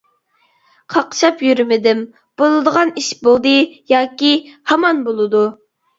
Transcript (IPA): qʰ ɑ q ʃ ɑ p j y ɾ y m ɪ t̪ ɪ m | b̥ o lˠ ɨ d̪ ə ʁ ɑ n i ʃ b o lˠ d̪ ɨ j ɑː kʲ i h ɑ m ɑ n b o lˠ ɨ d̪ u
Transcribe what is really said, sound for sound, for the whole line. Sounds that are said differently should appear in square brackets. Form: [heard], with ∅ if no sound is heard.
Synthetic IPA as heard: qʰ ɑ q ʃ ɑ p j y ɾ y m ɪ [d̪] ɪ m | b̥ o lˠ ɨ d̪ ə ʁ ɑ n i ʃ b o lˠ d̪ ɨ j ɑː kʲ i h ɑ m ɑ n b o lˠ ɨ d̪ u